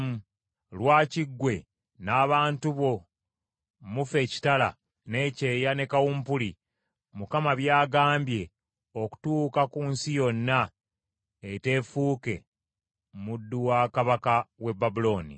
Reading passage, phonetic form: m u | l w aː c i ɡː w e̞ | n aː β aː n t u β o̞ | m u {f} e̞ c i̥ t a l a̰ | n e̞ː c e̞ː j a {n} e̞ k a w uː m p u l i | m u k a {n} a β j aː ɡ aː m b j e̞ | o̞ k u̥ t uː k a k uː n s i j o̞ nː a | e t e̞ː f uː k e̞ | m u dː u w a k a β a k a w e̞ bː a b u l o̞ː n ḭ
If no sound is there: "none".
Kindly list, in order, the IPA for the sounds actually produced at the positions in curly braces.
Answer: f, n, m

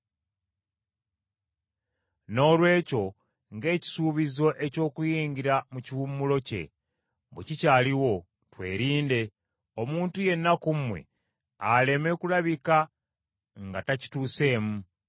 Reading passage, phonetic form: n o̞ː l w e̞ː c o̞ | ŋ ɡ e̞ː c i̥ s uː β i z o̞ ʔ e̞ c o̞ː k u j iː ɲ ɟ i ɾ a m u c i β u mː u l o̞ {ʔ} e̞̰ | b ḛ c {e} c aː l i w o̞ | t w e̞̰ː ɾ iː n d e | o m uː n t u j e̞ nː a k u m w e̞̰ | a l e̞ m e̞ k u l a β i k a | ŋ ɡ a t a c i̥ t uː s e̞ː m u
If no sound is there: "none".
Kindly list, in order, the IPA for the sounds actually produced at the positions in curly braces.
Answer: c, i

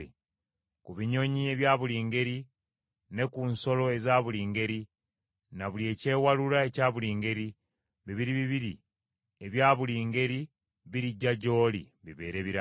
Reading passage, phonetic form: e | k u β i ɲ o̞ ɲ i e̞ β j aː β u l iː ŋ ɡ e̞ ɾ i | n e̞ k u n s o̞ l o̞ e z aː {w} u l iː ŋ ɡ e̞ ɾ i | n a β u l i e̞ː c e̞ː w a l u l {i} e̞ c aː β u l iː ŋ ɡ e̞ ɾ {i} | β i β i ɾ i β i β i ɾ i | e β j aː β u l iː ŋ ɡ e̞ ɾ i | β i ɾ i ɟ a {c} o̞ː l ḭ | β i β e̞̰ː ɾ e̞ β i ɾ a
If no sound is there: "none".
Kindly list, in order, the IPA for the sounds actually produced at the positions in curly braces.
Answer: β, a, i, ɟ

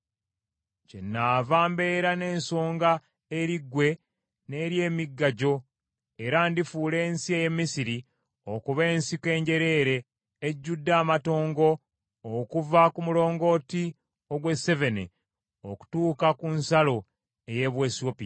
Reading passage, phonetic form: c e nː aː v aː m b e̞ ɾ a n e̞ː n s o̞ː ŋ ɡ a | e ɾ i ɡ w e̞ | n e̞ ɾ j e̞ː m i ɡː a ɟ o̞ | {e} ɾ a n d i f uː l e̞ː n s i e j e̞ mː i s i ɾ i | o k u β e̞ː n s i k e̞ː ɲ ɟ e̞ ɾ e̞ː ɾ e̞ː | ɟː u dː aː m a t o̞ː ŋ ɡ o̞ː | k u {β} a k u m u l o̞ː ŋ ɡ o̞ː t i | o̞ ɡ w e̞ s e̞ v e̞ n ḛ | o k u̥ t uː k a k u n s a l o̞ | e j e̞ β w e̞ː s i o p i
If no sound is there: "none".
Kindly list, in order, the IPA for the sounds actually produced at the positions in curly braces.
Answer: e, v

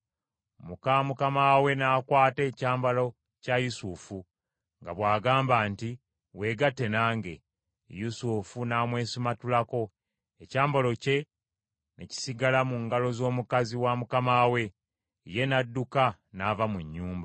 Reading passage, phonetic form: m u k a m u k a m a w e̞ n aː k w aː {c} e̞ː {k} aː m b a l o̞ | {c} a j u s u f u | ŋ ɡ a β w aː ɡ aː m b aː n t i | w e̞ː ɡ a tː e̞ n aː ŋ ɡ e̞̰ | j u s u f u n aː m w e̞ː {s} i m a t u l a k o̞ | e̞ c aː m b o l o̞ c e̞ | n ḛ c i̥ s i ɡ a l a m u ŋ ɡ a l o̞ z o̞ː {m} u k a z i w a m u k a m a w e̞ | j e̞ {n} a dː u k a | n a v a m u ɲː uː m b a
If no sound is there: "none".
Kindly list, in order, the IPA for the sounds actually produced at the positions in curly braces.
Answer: t, c, c, s, m, n

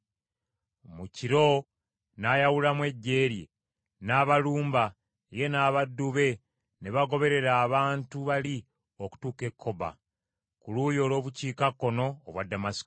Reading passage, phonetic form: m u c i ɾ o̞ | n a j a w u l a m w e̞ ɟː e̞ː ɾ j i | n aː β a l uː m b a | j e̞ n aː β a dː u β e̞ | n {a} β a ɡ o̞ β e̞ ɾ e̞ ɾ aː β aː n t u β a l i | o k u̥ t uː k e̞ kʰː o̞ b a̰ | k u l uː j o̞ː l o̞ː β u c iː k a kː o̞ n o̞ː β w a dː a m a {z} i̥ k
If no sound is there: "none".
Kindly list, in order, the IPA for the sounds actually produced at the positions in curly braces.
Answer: e, s

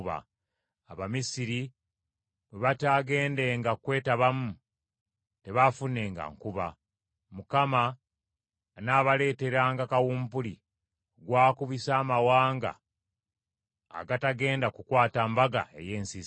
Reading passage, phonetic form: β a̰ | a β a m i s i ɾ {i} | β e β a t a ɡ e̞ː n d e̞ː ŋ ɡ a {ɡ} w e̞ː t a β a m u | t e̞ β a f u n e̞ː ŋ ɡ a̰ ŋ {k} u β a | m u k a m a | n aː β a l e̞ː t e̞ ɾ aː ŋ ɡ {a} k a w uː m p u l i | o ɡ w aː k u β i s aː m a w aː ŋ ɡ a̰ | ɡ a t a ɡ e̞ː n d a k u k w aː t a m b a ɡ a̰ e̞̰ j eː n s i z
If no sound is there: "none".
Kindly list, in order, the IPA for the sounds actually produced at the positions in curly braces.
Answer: i, k, k, a

